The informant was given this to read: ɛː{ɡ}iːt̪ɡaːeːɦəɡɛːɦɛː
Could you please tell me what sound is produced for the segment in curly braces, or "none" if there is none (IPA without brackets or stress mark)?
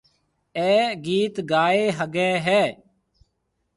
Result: ɡ